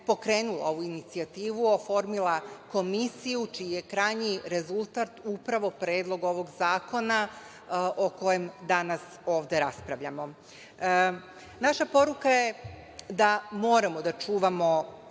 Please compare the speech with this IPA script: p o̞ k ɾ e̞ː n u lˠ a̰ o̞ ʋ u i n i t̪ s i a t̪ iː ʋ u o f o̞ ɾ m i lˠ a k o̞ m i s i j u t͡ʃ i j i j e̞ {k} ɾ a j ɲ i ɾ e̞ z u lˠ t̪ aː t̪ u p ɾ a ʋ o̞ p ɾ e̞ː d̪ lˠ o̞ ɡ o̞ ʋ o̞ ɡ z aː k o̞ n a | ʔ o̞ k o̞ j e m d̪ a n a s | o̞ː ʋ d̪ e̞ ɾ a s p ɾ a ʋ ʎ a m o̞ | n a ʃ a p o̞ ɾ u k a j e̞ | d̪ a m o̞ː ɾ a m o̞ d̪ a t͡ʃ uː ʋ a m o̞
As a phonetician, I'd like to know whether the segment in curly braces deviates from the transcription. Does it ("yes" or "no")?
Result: no